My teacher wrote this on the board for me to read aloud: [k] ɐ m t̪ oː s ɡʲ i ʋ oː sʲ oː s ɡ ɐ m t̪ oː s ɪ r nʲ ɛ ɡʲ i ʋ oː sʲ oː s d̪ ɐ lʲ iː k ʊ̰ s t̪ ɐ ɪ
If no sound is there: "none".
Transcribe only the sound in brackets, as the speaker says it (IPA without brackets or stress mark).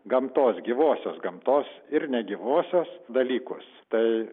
ɡ